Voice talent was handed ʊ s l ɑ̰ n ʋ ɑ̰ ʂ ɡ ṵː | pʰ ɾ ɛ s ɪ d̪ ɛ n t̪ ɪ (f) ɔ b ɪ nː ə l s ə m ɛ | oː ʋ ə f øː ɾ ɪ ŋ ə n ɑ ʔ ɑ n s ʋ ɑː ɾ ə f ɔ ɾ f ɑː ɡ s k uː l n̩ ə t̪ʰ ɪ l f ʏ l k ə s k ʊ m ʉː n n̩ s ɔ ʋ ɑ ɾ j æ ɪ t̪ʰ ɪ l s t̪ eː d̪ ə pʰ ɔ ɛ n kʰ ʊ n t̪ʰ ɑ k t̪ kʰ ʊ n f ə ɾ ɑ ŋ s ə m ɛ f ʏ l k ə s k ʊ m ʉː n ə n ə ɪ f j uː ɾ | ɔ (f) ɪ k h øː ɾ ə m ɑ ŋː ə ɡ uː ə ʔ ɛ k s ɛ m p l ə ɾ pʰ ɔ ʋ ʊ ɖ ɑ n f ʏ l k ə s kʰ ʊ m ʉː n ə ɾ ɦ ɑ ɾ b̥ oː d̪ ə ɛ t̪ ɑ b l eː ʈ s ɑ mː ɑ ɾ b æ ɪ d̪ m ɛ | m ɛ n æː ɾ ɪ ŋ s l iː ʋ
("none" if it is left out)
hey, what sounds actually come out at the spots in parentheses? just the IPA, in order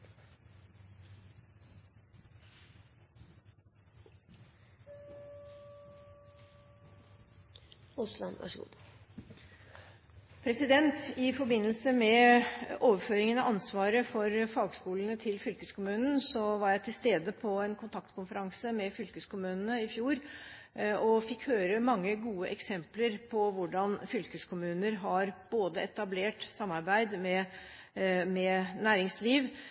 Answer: f, f

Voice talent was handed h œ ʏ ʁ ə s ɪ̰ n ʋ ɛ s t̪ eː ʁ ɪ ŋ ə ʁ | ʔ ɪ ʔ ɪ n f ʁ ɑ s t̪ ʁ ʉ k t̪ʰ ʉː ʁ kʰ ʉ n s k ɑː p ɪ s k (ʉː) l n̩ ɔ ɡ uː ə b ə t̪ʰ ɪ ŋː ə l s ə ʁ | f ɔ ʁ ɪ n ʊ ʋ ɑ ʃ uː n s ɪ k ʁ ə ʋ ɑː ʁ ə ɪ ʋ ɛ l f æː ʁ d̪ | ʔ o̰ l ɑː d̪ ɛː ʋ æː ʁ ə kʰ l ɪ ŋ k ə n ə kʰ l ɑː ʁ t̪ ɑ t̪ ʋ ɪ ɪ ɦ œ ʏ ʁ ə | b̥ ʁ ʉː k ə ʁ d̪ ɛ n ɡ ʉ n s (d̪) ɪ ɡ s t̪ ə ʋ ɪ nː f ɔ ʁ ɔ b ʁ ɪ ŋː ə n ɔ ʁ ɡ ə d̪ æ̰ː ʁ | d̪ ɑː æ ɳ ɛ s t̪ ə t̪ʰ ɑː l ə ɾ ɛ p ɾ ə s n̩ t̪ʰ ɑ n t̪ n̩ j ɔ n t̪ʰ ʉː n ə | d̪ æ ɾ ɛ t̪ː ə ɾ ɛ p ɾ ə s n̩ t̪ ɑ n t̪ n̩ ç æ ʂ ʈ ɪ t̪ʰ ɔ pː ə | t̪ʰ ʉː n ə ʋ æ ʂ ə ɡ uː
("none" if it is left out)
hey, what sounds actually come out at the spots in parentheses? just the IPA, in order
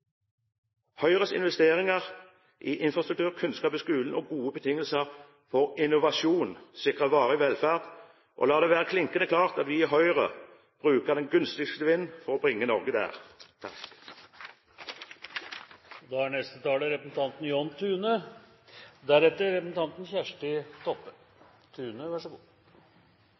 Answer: ʉː, t̪

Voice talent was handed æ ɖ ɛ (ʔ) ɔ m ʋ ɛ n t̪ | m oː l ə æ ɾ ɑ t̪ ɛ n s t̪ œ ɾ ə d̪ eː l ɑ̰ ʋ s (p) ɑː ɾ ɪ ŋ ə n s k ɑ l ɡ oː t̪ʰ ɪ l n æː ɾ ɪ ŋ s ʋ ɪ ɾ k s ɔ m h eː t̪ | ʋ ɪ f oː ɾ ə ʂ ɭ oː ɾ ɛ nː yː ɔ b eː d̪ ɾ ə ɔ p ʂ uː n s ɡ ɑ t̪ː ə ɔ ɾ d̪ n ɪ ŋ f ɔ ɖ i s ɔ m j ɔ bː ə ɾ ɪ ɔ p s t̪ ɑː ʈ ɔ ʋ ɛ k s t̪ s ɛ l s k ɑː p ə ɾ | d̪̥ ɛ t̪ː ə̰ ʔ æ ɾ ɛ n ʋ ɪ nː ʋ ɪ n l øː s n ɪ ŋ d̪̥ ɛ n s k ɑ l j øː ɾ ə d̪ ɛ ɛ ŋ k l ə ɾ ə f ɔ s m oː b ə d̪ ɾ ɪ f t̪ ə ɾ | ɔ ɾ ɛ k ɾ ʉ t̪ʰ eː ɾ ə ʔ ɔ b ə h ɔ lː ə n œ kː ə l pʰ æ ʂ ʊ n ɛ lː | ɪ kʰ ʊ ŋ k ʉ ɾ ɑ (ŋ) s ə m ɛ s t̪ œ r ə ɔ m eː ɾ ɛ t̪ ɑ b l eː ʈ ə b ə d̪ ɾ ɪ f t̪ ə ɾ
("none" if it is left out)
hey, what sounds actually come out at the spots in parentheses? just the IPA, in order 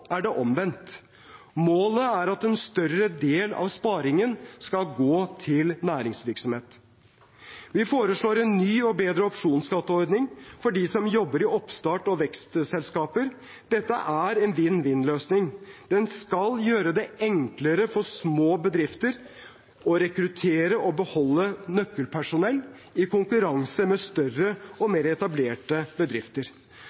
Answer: ʔ, p, ŋ

